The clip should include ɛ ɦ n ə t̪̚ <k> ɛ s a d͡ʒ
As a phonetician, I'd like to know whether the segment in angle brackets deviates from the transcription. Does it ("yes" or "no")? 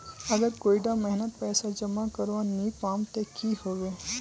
yes